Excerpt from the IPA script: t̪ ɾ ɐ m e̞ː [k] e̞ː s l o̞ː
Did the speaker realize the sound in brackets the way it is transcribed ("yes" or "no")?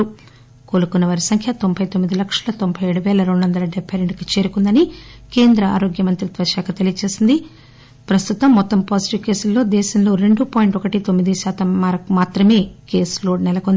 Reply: yes